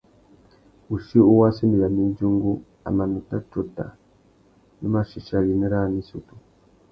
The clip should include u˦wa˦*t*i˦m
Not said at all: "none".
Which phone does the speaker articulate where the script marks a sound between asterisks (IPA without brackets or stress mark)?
s